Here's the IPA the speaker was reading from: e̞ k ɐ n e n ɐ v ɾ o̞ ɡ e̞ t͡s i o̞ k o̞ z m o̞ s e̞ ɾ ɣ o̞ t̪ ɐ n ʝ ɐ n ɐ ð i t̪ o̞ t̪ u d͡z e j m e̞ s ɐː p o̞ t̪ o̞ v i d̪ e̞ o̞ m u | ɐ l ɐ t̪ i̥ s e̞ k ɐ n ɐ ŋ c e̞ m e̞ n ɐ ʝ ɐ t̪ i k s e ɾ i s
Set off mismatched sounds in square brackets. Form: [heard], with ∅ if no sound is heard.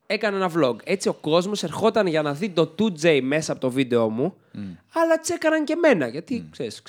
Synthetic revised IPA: e̞ k ɐ n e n ɐ v [l] o̞ ɡ e̞ t͡s i o̞ k o̞ z m o̞ s e̞ ɾ [x] o̞ t̪ ɐ n ʝ ɐ n ɐ ð i t̪ o̞ t̪ u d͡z e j m e̞ s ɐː p o̞ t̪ o̞ v i d̪ e̞ o̞ m u | ɐ l ɐ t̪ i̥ s e̞ k ɐ n ɐ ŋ c e̞ m e̞ n ɐ ʝ ɐ t̪ i k s e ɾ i s